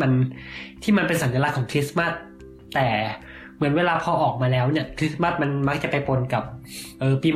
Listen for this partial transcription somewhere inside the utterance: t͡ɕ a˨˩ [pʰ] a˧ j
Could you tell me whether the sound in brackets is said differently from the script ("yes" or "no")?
yes